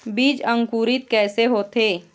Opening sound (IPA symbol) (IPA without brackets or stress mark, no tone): b